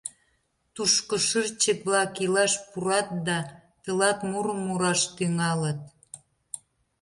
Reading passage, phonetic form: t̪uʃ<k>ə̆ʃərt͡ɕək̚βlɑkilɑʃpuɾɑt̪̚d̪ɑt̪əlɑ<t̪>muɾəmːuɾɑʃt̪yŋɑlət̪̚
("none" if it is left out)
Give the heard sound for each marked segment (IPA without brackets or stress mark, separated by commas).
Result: k, t̪